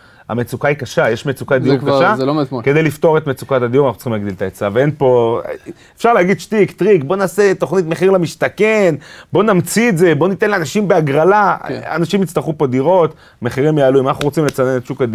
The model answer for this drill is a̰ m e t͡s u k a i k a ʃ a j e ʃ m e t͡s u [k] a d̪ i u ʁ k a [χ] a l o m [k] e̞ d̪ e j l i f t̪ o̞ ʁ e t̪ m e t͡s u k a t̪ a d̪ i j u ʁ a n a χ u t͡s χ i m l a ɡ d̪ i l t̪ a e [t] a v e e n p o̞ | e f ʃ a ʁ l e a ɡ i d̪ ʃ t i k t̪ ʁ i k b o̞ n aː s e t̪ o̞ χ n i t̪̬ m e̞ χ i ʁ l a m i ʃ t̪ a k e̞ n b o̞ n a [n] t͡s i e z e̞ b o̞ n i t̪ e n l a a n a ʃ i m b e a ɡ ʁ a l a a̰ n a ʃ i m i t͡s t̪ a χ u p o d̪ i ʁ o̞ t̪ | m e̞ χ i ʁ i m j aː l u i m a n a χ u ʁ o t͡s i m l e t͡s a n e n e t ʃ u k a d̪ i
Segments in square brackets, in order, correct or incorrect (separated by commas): correct, incorrect, correct, incorrect, incorrect